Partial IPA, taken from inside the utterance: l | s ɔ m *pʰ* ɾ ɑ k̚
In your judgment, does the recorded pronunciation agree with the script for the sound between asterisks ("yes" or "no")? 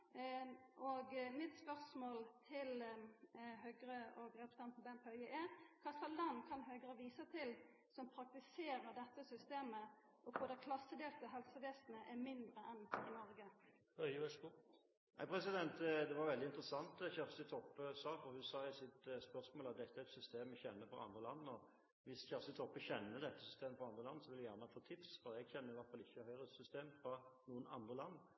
yes